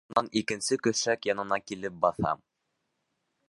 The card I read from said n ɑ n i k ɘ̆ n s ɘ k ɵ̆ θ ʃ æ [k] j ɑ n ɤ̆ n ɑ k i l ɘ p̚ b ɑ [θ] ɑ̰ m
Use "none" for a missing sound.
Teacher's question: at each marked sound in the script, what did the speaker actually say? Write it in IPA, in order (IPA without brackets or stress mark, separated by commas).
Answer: k, θ